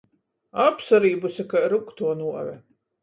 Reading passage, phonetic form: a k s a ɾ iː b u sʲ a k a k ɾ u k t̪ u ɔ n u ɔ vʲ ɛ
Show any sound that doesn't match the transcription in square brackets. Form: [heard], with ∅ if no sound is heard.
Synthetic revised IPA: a [p] s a ɾ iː b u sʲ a k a [∅] ɾ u k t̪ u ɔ n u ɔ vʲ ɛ